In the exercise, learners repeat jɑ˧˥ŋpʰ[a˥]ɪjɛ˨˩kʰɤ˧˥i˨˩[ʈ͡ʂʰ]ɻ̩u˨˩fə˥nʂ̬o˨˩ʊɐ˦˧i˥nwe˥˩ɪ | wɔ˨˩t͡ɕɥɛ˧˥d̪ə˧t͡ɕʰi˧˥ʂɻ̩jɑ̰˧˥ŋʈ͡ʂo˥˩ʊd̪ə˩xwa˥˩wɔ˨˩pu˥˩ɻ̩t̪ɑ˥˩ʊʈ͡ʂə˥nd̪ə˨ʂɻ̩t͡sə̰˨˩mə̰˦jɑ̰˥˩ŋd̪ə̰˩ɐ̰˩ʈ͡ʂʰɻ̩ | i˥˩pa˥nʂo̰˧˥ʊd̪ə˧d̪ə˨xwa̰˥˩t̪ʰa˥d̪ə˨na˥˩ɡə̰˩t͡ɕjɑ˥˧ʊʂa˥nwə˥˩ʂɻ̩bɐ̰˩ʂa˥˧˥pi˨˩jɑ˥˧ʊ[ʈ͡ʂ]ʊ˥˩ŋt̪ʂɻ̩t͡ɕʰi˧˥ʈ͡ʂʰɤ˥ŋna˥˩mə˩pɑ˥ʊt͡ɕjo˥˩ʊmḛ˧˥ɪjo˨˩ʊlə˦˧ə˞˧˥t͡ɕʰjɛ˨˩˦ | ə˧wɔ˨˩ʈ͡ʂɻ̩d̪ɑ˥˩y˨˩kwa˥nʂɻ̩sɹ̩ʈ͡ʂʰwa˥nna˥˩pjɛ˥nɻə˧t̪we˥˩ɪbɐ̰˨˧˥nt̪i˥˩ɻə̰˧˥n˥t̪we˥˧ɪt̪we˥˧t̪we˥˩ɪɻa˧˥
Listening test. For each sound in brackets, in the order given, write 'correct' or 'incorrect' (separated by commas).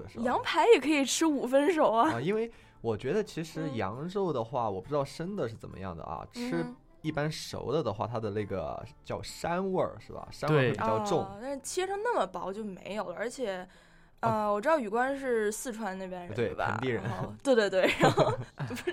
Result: incorrect, correct, correct